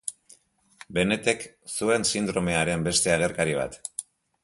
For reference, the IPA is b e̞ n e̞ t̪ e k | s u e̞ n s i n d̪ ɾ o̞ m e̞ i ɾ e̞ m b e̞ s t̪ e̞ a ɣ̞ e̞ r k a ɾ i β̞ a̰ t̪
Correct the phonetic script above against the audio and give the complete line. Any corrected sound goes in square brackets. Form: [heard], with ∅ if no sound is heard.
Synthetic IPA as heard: b e̞ n e̞ t̪ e k | s u e̞ n s i n d̪ ɾ o̞ m e̞ [a] ɾ e̞ m b e̞ s t̪ e̞ a ɣ̞ e̞ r k a ɾ i β̞ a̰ t̪

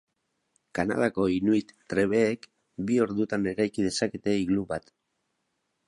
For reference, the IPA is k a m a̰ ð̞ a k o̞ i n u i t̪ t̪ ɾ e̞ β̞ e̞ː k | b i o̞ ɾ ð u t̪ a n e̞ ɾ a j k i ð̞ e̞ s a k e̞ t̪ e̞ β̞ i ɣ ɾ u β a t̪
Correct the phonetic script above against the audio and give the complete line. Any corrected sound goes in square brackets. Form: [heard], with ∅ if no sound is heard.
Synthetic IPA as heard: k a [n] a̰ ð̞ a k o̞ i n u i t̪ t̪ ɾ e̞ β̞ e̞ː k | b i o̞ ɾ ð u t̪ a n e̞ ɾ a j k i ð̞ e̞ s a k e̞ t̪ e̞ [∅] i ɣ [l] u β a t̪

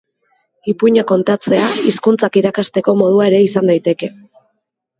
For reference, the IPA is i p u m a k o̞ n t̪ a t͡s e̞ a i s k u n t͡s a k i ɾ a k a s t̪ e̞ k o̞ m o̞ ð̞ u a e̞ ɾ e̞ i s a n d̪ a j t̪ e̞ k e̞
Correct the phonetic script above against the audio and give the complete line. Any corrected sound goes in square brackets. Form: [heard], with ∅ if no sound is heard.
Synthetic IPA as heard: i p u [ɲ] a k o̞ n t̪ a t͡s e̞ a i s k u n t͡s a k i ɾ a k a s t̪ e̞ k o̞ m o̞ ð̞ u a e̞ ɾ e̞ i s a n d̪ a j t̪ e̞ k e̞

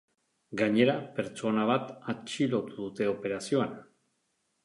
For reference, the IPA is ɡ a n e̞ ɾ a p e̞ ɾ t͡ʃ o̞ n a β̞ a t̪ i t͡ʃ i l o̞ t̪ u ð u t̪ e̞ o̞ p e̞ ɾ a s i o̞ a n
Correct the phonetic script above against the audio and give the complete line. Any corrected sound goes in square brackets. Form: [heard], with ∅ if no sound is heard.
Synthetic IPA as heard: ɡ a [ɲ] e̞ ɾ a p e̞ ɾ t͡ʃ o̞ n a β̞ a t̪ [a] t͡ʃ i l o̞ t̪ u ð u t̪ e̞ o̞ p e̞ ɾ a s i o̞ a n

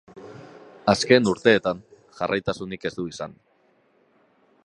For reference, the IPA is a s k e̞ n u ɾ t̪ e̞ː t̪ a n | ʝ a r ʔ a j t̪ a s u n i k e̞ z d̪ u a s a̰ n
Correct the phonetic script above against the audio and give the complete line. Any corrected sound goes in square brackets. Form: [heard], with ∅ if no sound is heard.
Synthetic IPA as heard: a s k e̞ n u ɾ t̪ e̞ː t̪ a n | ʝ a r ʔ a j t̪ a s u n i k e̞ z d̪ u [i] s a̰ n

